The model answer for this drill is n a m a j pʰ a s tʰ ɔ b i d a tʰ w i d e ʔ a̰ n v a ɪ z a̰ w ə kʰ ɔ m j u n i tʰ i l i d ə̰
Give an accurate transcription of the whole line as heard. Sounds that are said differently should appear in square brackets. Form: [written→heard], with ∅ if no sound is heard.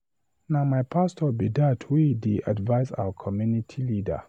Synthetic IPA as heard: n a m a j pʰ a s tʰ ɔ b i d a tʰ w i d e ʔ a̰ [n→d] v a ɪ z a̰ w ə kʰ ɔ m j u n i tʰ i l i d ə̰